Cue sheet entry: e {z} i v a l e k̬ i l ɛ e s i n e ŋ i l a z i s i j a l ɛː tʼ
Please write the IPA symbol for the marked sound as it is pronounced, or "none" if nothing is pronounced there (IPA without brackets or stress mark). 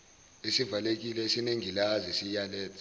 s